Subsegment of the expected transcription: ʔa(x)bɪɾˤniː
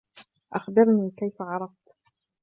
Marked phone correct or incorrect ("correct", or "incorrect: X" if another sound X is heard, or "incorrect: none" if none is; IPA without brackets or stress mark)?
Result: correct